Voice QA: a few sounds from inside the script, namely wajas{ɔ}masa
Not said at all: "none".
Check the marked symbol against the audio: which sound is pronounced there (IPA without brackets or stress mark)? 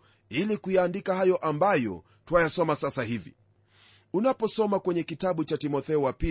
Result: ɔ